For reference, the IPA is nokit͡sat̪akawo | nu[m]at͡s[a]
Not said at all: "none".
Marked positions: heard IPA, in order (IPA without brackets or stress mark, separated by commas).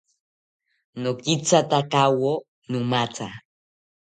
m, a